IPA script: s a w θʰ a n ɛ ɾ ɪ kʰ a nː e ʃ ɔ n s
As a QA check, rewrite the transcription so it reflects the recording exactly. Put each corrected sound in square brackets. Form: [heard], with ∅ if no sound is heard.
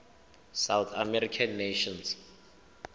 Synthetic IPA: s a w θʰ a [m] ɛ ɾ [i] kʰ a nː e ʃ ɔ n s

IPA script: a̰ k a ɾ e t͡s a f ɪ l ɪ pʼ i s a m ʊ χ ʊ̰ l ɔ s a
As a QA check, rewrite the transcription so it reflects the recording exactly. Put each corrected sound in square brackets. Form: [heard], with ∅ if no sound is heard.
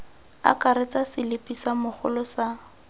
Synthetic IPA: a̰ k a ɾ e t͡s a [s] ɪ l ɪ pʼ i s a m ʊ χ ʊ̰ l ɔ s a

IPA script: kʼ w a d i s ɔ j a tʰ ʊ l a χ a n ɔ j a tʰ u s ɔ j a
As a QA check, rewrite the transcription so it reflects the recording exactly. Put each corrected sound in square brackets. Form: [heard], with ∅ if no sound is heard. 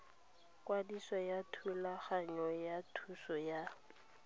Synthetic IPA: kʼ w a d i s ɔ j a tʰ [u] l a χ a [ɲ] ɔ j a tʰ u s ɔ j a

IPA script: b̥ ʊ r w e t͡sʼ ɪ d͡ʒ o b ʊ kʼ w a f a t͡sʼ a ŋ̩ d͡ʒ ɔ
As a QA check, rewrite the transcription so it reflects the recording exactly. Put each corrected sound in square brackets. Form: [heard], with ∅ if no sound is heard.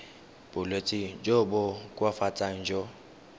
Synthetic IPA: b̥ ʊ [l] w e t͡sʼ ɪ d͡ʒ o b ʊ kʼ w a f a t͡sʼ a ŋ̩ d͡ʒ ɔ

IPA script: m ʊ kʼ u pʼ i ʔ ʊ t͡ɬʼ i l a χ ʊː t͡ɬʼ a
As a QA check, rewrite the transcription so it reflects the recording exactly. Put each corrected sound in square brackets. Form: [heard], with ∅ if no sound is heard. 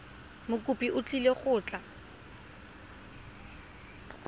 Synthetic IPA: m ʊ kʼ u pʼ i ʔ ʊ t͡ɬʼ i l [e] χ ʊː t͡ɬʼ a

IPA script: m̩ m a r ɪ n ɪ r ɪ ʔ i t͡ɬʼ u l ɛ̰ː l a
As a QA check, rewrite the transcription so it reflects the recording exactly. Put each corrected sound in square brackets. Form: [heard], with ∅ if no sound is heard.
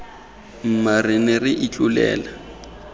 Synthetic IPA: m̩ m a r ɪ n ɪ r ɪ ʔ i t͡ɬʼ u l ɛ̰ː l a

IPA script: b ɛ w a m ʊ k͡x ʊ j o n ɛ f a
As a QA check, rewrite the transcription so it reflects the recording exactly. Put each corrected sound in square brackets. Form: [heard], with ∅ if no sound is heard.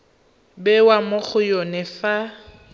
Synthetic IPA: b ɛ w a m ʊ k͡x ʊ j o n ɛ f a

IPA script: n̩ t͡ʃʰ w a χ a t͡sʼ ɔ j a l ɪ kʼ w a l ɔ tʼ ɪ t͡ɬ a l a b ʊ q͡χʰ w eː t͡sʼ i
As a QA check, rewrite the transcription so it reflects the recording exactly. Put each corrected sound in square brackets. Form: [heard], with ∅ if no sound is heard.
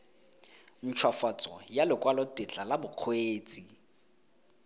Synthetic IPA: n̩ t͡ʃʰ w a [f] a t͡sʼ ɔ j a l ɪ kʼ w a l ɔ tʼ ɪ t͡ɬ a l a b ʊ q͡χʰ w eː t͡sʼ i

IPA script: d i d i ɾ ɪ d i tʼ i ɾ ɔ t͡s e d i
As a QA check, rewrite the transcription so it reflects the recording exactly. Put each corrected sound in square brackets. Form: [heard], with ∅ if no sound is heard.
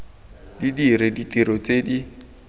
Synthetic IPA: d i d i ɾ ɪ d i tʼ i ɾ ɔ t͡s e d i

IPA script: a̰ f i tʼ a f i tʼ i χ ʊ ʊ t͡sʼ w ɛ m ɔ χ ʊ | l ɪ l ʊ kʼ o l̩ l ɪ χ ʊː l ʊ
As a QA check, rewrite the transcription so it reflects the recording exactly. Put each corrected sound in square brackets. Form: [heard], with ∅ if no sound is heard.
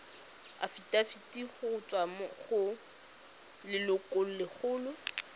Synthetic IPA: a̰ f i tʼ a f i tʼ i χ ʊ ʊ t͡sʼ w [a] m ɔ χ ʊ | l ɪ l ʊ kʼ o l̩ l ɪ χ ʊː l ʊ

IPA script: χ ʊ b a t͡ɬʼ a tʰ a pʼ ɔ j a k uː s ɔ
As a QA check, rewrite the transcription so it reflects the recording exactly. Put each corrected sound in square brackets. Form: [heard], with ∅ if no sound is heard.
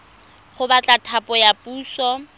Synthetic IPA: χ ʊ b a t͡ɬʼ a tʰ a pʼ ɔ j a [p] uː s ɔ

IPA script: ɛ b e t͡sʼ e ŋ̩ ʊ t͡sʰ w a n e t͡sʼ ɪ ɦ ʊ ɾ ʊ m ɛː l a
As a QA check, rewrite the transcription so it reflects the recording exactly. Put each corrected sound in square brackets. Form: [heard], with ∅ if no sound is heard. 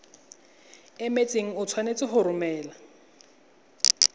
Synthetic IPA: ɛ [m] e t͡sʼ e ŋ̩ ʊ t͡sʰ w a n e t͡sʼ ɪ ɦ ʊ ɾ ʊ m ɛː l a

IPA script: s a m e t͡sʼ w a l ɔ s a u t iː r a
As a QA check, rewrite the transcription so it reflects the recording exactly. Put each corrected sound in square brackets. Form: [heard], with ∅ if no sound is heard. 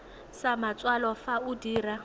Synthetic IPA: s a m [a] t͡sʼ w a l ɔ [f] a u [d] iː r a

